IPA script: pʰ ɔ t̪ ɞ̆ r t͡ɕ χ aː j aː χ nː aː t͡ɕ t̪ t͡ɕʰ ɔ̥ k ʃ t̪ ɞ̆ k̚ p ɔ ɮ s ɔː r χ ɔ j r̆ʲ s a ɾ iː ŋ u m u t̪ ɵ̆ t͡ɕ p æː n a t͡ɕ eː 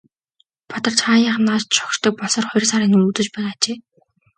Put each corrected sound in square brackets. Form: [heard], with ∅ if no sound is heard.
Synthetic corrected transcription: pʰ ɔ t̪ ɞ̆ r t͡ɕ χ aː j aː χ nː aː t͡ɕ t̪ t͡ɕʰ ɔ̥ k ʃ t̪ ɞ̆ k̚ p ɔ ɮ s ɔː r χ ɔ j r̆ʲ s a ɾ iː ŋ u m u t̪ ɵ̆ t͡ɕ p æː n a t͡ɕ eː